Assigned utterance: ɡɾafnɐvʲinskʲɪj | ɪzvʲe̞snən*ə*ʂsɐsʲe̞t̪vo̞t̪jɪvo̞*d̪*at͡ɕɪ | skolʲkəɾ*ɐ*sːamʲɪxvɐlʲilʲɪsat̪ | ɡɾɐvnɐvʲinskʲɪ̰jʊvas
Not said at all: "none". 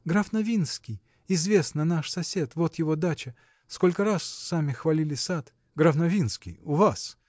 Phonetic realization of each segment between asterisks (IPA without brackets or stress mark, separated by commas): a, d̪, a